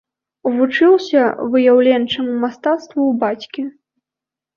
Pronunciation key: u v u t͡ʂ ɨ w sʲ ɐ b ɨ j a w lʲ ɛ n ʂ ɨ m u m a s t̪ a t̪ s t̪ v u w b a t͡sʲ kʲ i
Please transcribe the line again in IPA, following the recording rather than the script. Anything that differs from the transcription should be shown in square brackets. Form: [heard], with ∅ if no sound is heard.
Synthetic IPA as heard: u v u t͡ʂ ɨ w sʲ ɐ [v] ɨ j a w lʲ ɛ n [t͡ʂ] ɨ m u m a s t̪ a t̪ s t̪ v u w b a t͡sʲ kʲ i

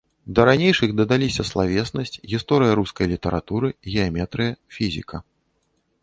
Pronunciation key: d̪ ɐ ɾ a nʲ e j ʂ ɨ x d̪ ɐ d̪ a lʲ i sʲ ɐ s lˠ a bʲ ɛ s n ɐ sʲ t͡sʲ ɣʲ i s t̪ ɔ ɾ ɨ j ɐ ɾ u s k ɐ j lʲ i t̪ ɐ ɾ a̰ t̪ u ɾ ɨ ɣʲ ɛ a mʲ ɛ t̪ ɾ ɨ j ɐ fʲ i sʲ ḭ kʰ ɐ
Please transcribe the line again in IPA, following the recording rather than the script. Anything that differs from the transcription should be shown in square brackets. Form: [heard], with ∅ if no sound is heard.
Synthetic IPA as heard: d̪ ɐ ɾ a nʲ e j ʂ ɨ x d̪ ɐ d̪ a lʲ i sʲ ɐ s lˠ a [vʲ] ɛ s n ɐ sʲ t͡sʲ ɣʲ i s t̪ ɔ ɾ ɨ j ɐ ɾ u s k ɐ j lʲ i t̪ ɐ ɾ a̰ t̪ u ɾ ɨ ɣʲ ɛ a mʲ ɛ t̪ ɾ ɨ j ɐ fʲ i [zʲ] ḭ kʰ ɐ

